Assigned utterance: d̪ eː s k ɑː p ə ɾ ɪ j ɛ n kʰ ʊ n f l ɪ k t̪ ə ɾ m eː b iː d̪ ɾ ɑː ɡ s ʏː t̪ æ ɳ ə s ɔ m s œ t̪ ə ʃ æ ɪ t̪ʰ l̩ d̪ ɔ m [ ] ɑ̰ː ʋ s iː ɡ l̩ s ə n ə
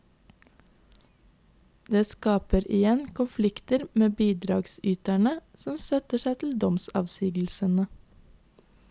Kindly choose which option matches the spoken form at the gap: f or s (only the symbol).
s